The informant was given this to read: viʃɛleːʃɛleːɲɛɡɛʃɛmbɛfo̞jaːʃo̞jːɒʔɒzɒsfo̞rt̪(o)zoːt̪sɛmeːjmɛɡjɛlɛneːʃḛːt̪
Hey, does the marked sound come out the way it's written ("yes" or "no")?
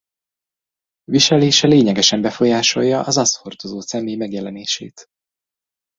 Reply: yes